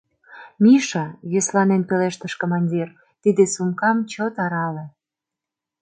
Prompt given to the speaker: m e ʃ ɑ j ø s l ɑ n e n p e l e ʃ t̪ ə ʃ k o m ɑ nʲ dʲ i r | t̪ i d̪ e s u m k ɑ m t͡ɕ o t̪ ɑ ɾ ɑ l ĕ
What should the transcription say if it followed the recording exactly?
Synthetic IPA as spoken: m i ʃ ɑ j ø s l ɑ n e n p e l e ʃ t̪ ə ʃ k o m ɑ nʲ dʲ i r | t̪ i d̪ e s u m k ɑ m t͡ɕ o t̪ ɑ ɾ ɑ l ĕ